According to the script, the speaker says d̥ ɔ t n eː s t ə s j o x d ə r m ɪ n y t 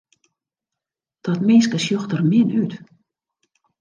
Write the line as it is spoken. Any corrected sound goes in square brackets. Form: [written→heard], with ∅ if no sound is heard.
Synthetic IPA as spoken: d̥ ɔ t [n→m] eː s [t→k] ə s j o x [d→t] ə r m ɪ n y t